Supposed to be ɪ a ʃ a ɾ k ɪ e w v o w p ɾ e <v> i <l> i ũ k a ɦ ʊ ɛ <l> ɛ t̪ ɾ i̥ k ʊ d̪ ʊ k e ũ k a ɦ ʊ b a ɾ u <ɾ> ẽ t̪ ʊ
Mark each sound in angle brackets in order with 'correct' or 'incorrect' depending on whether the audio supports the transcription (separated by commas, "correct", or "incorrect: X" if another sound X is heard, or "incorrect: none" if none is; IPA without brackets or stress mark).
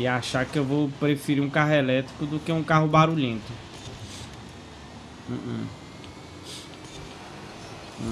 incorrect: f, incorrect: ɾ, correct, incorrect: ʎ